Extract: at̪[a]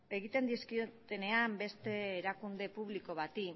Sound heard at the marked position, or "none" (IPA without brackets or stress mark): i